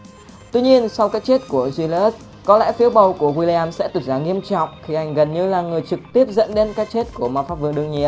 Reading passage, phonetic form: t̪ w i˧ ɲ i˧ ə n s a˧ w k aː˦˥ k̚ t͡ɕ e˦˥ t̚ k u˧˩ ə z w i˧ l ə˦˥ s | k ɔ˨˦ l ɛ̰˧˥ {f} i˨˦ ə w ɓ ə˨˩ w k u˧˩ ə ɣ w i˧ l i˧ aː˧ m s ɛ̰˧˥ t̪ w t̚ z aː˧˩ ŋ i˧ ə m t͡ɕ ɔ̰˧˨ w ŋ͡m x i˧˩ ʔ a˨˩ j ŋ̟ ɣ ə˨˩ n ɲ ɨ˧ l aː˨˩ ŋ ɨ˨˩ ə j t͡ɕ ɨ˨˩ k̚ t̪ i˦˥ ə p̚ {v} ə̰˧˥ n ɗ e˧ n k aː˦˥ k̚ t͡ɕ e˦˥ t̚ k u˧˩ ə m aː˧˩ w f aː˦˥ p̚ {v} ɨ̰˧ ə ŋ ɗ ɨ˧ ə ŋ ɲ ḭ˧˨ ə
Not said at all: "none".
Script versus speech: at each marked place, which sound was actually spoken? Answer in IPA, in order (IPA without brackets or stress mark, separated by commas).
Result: f, z, v